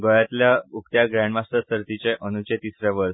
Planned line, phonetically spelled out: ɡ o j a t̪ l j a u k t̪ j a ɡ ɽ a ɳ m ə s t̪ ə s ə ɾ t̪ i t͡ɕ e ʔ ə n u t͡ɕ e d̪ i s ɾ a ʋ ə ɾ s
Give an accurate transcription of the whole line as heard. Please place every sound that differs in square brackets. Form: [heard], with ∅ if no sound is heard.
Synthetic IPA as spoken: ɡ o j a t̪ l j a u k t̪ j a ɡ [ɾ] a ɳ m [a] s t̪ ə s ə ɾ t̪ i t͡ɕ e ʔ ə n u t͡ɕ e [t̪] i s ɾ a ʋ ə ɾ s